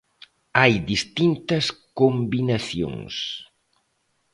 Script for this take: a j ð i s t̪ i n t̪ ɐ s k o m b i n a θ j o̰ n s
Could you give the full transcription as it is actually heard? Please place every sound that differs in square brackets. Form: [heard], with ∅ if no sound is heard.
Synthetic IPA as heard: a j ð i s t̪ i n t̪ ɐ s k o m b i n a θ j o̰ [ŋ] s